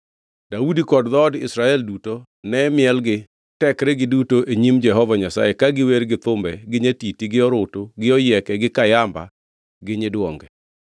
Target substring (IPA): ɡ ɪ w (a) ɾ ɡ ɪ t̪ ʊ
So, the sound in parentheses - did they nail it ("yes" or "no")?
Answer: no